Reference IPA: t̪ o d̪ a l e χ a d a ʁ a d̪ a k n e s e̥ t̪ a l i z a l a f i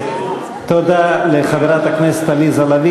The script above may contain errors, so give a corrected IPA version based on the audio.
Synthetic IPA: t̪ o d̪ a l e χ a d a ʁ a t̪ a k n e s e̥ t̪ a l i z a l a v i